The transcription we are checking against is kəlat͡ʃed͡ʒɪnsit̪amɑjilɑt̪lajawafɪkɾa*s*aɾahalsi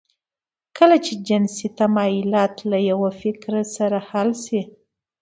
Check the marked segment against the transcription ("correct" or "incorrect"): correct